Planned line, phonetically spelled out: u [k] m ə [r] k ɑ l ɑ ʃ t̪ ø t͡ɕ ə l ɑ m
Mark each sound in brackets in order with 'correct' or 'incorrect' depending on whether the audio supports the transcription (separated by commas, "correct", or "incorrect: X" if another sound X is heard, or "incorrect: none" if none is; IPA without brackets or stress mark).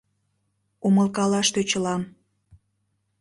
incorrect: none, incorrect: l